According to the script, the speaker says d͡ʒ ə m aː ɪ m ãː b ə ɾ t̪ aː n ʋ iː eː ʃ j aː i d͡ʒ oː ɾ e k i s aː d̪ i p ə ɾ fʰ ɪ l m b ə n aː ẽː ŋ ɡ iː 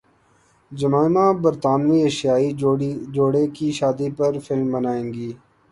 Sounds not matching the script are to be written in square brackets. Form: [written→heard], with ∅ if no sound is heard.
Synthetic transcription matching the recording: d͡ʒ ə m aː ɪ m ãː b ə ɾ t̪ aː n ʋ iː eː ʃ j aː i d͡ʒ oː [ɾ→ɽ] e k i [s→ʃ] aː d̪ i p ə ɾ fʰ ɪ l m b ə n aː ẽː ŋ ɡ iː